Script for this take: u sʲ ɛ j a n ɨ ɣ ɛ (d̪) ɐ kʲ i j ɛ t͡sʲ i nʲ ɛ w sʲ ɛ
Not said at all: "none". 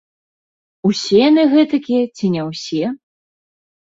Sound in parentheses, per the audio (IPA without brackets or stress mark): t̪